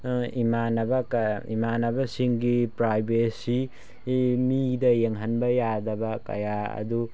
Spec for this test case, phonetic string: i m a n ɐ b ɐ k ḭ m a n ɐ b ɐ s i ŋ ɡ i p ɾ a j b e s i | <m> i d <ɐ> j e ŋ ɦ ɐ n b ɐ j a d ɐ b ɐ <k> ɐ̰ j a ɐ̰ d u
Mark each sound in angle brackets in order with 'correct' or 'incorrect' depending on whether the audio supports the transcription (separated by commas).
correct, correct, correct